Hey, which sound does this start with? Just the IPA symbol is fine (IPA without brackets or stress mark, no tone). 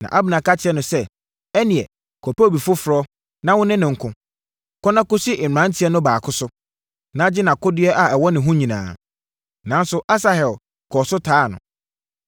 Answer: n